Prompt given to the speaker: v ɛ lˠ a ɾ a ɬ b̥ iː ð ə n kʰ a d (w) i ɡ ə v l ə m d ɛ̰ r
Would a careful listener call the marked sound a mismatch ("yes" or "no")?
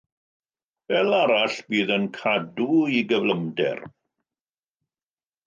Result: yes